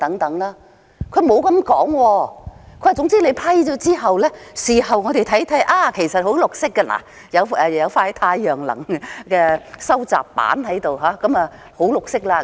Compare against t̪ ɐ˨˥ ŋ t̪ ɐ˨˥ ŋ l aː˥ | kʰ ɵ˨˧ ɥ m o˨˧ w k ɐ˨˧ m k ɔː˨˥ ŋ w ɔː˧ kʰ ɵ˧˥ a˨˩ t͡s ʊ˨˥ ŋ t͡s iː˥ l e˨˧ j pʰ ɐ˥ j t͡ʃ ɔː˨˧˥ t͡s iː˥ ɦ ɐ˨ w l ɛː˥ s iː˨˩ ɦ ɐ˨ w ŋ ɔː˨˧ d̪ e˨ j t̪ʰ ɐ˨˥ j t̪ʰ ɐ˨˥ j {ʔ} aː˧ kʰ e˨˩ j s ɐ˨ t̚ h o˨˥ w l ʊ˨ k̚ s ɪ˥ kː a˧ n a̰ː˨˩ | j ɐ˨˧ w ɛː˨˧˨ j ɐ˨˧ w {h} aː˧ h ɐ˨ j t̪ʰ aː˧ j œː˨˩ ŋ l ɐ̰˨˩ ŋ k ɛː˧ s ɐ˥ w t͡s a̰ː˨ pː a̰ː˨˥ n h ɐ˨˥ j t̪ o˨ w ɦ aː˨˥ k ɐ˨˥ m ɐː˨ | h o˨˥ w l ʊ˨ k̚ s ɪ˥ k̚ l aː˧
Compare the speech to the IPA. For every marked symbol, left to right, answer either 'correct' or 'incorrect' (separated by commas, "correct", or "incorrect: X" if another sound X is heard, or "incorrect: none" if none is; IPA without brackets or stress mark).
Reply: correct, incorrect: f